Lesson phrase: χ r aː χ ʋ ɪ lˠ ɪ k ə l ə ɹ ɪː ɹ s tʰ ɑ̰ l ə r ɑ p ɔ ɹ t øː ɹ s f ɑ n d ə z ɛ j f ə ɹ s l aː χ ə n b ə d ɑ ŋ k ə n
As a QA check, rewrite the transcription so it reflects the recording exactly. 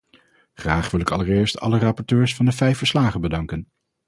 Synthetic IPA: χ r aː χ ʋ ɪ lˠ ɪ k ɑ l ə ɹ ɪː ɹ s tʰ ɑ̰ l ə r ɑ p ɔ ɹ t øː ɹ s f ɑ n d ə v ɛ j f ə ɹ s l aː χ ə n b ə d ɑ ŋ k ə n